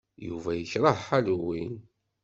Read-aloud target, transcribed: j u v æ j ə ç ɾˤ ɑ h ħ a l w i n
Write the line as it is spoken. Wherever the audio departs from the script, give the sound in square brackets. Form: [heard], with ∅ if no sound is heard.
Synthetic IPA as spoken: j u v æ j ə ç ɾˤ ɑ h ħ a l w i n